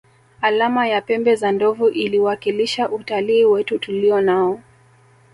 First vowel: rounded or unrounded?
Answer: unrounded